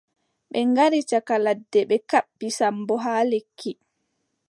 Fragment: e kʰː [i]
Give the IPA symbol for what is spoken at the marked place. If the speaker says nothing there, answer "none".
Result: i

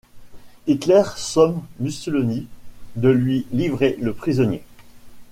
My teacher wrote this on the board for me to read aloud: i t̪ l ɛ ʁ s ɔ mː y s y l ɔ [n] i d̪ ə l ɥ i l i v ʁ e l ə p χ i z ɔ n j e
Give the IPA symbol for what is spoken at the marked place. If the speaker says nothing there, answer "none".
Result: n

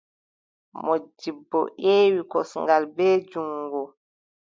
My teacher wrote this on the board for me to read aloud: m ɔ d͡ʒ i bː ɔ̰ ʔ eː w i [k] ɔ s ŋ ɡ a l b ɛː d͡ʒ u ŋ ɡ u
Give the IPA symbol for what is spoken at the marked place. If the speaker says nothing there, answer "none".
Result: k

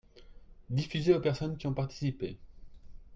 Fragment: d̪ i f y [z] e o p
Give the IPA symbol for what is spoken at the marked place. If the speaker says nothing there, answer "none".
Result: z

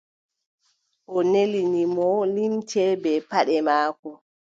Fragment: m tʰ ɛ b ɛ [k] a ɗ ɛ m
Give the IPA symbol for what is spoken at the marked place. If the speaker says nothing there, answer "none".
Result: p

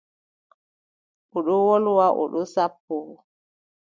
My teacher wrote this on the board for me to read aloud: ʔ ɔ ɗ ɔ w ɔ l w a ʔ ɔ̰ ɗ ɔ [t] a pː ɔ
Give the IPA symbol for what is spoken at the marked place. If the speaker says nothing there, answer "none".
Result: s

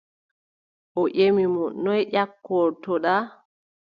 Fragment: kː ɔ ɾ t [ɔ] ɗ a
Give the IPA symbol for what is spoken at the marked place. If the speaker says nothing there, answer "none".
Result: ɔ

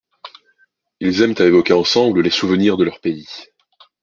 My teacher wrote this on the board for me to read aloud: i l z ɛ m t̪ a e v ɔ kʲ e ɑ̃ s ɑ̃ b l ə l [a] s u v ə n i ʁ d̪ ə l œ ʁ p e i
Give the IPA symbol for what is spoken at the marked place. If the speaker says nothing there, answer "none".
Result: e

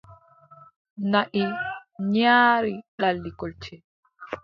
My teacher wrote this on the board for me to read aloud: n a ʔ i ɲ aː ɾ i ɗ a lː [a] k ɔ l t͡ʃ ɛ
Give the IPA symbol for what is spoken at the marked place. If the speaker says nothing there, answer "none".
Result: i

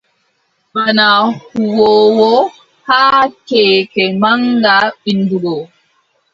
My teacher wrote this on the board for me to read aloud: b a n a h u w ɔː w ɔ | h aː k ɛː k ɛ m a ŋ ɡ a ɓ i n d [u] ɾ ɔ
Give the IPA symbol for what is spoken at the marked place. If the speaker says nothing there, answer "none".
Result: u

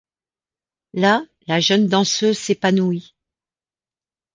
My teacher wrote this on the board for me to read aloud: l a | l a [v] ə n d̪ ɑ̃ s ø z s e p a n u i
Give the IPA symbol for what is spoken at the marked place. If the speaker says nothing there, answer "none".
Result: ʒ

